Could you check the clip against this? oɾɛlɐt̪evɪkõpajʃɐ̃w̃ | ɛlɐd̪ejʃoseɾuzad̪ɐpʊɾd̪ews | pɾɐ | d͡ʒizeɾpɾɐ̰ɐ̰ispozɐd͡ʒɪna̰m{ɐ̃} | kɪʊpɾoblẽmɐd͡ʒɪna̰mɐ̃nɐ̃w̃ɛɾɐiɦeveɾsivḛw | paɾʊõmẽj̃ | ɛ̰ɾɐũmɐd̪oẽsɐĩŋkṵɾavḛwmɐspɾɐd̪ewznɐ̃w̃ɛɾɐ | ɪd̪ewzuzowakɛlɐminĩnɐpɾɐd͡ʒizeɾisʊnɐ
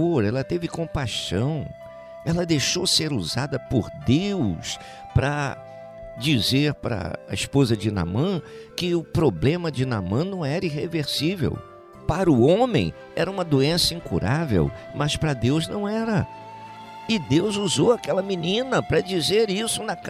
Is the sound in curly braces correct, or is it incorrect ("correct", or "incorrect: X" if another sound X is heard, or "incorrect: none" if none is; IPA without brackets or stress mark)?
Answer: correct